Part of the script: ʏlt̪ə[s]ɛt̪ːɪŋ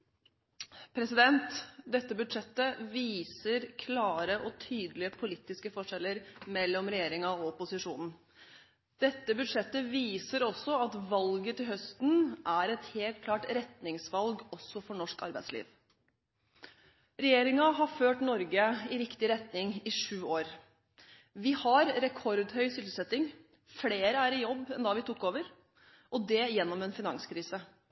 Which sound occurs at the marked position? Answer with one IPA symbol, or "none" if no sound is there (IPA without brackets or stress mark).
s